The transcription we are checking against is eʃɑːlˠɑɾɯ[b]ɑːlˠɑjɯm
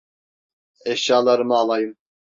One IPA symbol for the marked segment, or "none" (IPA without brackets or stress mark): m